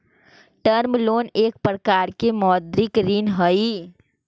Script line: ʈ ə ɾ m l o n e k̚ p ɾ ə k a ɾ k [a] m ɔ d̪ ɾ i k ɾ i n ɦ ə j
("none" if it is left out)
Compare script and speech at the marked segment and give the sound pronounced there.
e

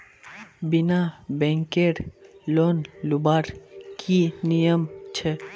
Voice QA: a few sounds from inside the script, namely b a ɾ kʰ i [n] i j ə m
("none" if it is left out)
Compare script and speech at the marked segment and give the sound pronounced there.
n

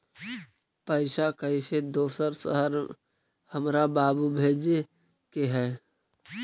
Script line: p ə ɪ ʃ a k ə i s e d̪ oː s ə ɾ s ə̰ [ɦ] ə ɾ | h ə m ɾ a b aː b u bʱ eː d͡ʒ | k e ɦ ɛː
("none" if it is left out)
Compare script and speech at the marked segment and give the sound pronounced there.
ɦ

